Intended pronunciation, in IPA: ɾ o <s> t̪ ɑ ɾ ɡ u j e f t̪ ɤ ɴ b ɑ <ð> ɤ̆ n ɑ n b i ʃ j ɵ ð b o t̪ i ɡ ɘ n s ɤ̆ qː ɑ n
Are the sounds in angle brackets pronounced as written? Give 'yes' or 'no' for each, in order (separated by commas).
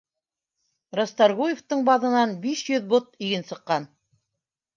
yes, yes